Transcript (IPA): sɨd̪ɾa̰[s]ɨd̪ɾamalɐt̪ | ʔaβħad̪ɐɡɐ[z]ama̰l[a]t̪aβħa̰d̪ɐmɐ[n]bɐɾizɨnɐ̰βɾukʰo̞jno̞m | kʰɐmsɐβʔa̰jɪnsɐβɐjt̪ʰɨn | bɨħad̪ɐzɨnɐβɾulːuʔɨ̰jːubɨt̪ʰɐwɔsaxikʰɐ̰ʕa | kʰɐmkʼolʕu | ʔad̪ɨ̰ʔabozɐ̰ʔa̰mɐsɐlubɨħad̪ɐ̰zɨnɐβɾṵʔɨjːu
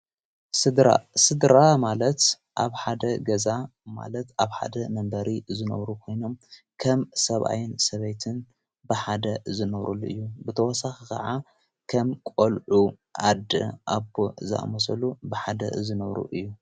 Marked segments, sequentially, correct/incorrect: correct, correct, incorrect: ɐ, incorrect: m

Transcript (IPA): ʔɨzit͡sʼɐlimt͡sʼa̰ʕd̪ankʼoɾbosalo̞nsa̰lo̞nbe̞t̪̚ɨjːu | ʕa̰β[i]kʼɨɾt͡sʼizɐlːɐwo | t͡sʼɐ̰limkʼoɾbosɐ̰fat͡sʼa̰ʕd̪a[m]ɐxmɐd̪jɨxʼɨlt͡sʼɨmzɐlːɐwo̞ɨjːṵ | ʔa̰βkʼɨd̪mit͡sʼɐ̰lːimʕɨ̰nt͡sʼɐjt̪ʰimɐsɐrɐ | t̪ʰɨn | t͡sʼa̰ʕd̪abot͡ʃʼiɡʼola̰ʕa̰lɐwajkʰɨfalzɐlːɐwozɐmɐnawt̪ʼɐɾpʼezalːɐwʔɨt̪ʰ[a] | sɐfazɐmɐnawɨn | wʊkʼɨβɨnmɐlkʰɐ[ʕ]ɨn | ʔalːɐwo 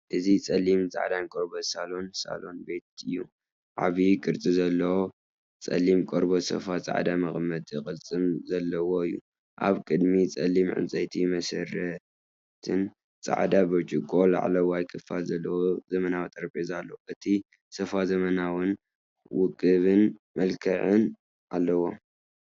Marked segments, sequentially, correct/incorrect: correct, correct, incorrect: i, correct

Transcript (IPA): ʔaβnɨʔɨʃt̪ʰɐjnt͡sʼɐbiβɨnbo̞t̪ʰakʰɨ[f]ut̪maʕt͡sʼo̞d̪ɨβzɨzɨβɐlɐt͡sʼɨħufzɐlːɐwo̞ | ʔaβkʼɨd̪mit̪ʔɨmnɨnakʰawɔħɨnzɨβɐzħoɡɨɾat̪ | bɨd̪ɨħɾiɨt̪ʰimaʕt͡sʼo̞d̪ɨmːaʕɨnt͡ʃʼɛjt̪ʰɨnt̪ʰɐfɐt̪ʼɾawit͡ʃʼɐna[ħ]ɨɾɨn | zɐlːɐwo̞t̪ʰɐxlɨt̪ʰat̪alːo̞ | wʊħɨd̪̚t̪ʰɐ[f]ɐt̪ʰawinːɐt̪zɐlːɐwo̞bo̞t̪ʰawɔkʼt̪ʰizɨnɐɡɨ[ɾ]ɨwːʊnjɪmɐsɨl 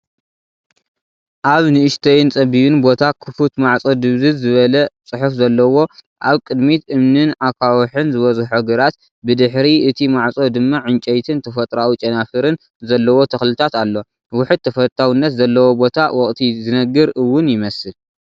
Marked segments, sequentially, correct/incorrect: correct, incorrect: f, correct, correct

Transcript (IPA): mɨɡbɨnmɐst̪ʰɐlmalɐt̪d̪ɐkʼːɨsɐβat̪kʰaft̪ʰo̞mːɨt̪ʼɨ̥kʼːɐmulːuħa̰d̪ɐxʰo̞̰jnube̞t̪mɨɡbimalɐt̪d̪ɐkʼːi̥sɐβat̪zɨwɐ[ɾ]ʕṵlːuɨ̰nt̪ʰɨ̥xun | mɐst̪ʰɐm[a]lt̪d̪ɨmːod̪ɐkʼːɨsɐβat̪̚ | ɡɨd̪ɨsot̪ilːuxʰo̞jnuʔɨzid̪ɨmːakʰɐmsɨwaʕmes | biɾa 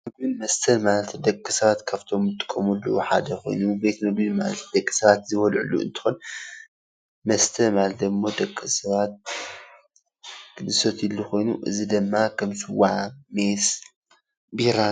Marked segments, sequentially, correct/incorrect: incorrect: l, correct

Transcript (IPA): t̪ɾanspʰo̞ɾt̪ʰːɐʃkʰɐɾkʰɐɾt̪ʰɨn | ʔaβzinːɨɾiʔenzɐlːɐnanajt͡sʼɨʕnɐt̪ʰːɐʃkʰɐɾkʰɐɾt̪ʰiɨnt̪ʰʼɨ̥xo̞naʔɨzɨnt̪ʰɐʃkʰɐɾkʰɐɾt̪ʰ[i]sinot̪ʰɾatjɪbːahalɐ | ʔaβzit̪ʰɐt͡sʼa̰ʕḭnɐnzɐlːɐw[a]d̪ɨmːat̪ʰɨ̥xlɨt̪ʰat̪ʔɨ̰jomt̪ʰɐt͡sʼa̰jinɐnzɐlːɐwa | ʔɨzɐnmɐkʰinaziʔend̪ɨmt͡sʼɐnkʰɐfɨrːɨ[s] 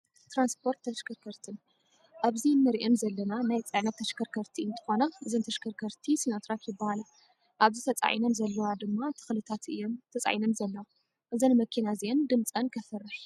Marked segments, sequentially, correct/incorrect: correct, correct, incorrect: ħ

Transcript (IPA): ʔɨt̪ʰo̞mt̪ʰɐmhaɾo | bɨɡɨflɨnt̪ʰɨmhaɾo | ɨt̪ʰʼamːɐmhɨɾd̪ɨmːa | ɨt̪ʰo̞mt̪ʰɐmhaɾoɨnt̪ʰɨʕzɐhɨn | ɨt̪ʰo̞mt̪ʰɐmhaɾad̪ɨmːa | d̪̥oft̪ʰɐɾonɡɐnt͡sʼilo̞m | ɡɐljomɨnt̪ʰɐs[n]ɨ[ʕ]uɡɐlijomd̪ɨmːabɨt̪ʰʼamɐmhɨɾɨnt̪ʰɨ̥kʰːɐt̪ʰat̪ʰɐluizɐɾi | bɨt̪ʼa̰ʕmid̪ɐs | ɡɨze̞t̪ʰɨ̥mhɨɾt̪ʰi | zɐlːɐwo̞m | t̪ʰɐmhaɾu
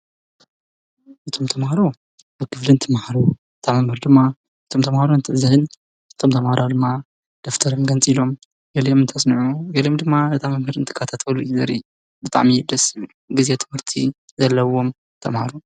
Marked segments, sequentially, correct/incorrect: correct, correct

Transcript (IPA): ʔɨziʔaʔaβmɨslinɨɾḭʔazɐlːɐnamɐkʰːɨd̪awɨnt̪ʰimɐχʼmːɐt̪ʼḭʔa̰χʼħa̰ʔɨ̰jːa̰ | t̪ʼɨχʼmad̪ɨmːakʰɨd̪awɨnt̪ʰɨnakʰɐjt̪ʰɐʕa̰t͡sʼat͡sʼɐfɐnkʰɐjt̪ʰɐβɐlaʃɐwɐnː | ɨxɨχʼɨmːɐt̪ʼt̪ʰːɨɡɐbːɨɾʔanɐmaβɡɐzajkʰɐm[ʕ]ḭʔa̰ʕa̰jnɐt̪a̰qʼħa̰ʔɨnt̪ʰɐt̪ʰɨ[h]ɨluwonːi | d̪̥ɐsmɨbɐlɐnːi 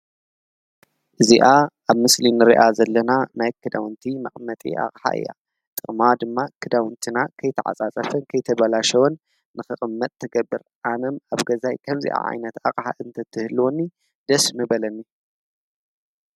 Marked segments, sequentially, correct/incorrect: incorrect: z, correct

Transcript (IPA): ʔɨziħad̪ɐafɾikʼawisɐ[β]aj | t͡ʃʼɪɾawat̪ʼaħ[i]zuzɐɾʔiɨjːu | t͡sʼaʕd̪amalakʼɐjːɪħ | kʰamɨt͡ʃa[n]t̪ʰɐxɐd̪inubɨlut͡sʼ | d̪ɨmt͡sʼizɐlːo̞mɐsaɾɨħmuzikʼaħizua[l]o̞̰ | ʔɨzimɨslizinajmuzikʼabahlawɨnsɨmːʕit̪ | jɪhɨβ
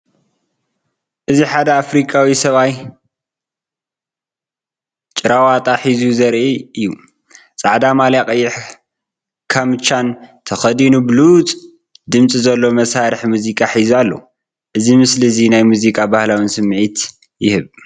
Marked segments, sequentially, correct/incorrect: correct, correct, correct, incorrect: lː

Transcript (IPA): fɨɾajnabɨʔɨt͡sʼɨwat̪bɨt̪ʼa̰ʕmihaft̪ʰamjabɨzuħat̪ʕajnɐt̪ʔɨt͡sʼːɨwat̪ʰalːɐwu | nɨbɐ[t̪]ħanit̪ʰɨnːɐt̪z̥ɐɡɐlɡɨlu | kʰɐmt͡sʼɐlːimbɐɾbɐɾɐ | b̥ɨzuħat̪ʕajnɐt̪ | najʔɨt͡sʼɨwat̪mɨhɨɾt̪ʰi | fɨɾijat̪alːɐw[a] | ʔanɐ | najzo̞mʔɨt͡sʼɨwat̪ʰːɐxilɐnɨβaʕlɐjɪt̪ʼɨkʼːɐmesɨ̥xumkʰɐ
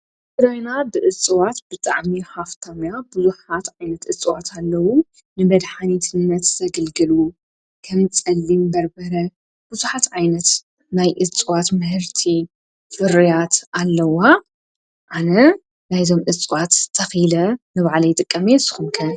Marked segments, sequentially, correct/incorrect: incorrect: d̪, correct

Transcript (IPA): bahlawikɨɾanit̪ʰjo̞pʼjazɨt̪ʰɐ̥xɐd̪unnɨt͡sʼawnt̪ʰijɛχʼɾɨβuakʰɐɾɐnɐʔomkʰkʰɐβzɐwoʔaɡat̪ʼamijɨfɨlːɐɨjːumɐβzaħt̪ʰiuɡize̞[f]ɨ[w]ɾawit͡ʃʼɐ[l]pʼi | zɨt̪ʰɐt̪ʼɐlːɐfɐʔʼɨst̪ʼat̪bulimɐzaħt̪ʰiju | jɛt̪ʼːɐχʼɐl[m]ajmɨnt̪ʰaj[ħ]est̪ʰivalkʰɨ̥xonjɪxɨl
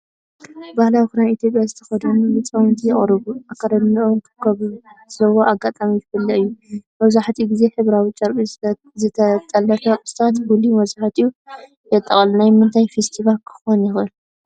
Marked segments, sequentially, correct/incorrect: incorrect: ħ, incorrect: β, incorrect: ɾ, incorrect: n, incorrect: f

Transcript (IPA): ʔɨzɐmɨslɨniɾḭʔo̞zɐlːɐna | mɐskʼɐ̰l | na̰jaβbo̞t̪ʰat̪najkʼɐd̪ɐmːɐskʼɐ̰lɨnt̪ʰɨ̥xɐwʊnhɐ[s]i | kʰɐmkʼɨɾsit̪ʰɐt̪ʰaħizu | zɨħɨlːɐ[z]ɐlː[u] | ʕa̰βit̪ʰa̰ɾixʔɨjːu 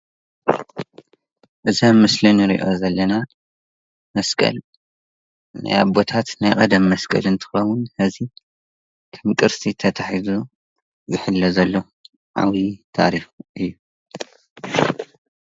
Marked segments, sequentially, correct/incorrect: incorrect: z, correct, incorrect: o

